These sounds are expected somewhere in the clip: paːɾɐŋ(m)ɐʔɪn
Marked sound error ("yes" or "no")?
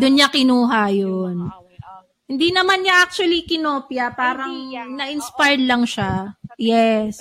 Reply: yes